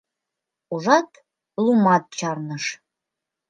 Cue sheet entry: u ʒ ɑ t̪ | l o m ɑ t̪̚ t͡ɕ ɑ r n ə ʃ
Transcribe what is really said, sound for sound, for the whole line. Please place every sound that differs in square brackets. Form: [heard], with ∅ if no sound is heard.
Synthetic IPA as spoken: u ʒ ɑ t̪ | l [u] m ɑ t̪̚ t͡ɕ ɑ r n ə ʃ